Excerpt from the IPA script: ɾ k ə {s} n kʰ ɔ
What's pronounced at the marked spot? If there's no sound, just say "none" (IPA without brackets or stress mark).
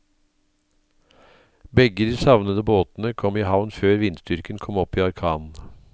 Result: none